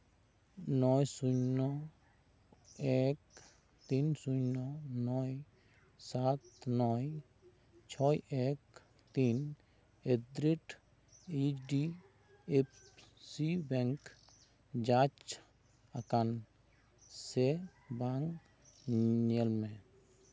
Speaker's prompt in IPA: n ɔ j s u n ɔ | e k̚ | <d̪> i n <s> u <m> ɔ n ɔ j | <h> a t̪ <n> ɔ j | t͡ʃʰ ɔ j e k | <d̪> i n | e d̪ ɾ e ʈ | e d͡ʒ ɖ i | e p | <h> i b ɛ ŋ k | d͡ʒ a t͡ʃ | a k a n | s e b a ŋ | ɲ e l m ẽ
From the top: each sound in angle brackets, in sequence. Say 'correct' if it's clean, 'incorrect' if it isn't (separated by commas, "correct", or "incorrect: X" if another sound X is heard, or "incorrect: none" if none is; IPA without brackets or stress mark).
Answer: incorrect: t̪, correct, incorrect: n, incorrect: s, correct, incorrect: t̪, incorrect: s